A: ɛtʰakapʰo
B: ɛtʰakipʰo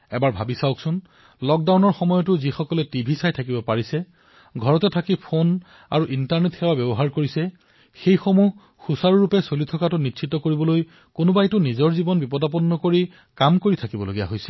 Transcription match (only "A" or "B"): B